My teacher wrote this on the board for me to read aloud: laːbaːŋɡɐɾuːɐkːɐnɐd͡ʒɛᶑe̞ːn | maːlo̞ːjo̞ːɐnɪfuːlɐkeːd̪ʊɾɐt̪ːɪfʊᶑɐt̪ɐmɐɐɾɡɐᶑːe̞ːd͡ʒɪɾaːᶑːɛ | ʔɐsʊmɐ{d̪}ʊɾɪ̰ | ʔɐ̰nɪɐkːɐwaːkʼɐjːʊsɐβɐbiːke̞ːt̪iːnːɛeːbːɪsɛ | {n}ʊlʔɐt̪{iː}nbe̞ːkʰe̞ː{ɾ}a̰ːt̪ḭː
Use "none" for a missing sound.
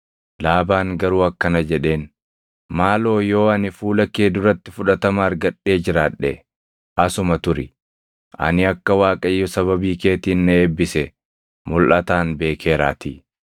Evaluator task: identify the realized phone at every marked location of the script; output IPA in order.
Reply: t̪, m, aː, ɾ

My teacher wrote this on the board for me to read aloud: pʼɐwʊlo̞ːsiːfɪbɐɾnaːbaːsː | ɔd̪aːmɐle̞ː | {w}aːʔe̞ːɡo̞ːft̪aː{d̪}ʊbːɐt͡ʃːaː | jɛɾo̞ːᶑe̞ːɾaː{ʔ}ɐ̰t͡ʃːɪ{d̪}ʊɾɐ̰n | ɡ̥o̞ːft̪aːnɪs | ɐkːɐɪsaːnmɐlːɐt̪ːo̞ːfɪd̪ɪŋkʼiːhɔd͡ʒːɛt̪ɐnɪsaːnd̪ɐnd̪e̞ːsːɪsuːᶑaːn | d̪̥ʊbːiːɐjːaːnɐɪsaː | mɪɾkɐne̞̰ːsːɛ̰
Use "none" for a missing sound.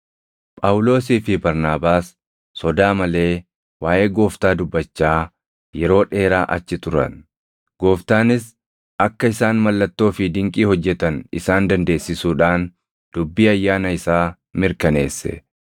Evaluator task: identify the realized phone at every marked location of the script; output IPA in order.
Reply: w, d̪, ʔ, t̪

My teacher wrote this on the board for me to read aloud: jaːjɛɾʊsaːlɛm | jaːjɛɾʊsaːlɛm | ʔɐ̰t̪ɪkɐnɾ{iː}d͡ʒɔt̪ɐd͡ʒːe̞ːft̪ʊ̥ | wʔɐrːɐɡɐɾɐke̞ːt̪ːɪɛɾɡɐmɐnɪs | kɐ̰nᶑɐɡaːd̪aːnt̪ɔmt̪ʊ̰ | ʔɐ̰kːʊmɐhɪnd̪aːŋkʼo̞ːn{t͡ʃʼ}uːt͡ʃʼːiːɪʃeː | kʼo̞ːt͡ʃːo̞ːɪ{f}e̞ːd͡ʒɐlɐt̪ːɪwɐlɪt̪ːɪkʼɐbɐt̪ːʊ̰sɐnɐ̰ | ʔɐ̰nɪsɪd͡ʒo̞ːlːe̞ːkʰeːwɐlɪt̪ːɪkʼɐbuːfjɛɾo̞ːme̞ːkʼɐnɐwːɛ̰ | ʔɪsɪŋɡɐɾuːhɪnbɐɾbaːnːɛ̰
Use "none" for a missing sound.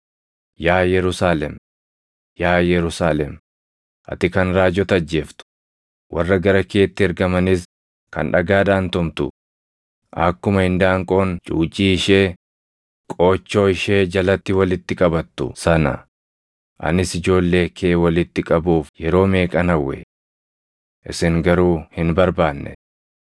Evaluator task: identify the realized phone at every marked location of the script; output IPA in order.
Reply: aː, t͡ʃʼ, ʃ

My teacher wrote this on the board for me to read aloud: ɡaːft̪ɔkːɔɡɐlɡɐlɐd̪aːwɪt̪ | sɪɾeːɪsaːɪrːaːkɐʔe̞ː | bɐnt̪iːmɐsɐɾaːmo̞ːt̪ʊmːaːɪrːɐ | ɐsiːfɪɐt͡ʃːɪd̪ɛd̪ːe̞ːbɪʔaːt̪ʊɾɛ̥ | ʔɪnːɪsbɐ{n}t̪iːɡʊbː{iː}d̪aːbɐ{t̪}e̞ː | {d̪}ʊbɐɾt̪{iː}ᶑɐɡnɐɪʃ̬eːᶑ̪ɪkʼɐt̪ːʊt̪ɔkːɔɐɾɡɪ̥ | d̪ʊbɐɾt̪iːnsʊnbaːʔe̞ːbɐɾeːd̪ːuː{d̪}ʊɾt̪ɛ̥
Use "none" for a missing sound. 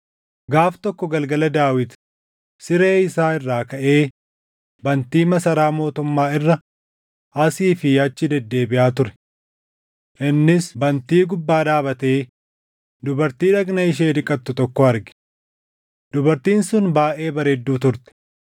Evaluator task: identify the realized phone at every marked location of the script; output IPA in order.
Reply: n, aː, t̪, d̪, iː, t̪

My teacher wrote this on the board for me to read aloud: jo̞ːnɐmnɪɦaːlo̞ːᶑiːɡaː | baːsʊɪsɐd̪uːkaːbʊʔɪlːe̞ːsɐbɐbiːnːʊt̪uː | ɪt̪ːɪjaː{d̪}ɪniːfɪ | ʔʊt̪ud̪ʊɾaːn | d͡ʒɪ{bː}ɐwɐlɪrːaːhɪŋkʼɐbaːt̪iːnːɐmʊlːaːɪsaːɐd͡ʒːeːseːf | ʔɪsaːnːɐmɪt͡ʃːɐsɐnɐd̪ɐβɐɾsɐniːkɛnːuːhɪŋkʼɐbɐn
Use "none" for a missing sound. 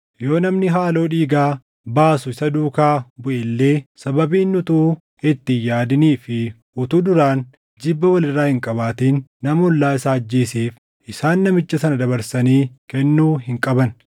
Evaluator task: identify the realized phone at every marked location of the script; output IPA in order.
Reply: d̪, bː

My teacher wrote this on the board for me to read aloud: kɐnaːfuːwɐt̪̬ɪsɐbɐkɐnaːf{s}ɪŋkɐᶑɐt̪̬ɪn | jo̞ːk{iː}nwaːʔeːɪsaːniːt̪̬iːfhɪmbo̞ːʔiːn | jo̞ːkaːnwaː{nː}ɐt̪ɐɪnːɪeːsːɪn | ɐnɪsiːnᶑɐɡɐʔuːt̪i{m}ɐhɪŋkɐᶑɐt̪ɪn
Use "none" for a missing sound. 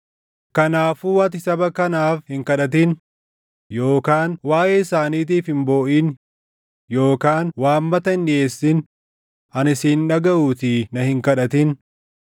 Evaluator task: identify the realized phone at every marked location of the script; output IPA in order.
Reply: h, aː, mː, n

